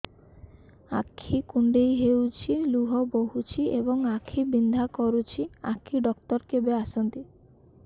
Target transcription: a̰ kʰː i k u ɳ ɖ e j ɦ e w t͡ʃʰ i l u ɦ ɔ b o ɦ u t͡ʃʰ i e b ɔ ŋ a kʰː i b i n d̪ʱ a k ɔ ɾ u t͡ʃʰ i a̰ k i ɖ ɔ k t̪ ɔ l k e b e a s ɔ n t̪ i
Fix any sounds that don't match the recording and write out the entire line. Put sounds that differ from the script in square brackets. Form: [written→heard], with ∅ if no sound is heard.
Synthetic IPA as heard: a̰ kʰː i k u ɳ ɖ e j ɦ e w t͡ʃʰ i l u ɦ ɔ b o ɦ u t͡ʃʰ i e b ɔ ŋ a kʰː i b i n d̪ʱ a k ɔ ɾ u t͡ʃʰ i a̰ [k→kʰ] i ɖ ɔ k t̪ ɔ [l→ɾ] k e b e a s ɔ n t̪ i